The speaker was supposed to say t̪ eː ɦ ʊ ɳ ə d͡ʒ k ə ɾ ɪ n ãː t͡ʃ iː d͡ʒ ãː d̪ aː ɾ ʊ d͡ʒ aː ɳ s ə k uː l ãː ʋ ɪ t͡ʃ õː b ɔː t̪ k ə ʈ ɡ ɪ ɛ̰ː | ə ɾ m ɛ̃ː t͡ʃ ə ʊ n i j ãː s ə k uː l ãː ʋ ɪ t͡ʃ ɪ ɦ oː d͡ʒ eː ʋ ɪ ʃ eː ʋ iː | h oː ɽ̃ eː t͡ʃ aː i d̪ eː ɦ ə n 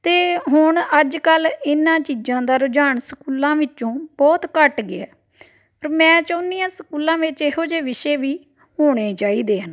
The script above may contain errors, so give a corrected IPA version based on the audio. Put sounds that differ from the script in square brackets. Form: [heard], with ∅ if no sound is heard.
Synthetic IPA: t̪ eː ɦ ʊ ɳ ə d͡ʒ k ə [l] ɪ n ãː t͡ʃ iː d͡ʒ ãː d̪ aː ɾ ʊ d͡ʒ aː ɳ s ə k uː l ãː ʋ ɪ t͡ʃ õː b ɔː t̪ k ə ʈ ɡ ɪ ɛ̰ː | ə ɾ m ɛ̃ː t͡ʃ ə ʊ n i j ãː s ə k uː l ãː ʋ ɪ t͡ʃ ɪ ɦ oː d͡ʒ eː ʋ ɪ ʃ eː ʋ iː | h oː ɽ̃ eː t͡ʃ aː [iː] d̪ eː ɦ ə n